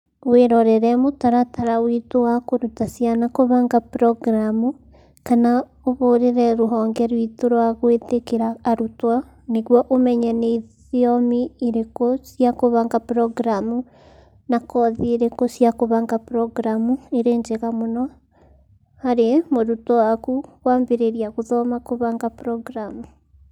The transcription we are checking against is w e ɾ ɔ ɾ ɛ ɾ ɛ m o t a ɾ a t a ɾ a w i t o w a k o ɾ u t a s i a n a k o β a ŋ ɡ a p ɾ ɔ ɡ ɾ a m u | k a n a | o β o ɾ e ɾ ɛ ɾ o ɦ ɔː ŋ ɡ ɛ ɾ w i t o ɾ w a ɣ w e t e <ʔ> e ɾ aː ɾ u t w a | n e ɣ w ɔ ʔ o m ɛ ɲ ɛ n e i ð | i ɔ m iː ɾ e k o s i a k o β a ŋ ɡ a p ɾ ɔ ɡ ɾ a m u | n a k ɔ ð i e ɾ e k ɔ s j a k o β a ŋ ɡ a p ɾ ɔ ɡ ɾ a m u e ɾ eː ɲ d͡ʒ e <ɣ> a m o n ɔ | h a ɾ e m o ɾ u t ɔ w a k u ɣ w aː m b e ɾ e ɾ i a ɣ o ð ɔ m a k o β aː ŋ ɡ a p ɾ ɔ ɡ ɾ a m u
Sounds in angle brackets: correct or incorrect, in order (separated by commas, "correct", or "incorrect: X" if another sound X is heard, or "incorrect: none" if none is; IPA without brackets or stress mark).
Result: incorrect: k, correct